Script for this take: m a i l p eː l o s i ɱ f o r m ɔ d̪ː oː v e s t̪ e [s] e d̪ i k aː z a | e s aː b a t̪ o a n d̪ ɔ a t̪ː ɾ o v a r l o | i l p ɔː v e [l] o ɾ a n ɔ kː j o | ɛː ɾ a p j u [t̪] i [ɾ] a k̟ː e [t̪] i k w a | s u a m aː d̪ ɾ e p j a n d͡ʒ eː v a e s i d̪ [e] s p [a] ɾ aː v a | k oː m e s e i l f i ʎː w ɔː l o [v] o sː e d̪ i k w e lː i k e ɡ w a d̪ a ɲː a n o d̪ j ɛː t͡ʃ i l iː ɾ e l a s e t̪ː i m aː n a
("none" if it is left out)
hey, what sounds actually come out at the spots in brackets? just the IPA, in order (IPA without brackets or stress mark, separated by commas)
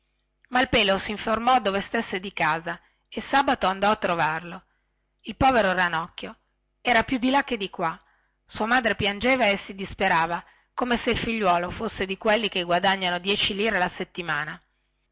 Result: sː, ɾ, d̪, l, d̪, i, e, f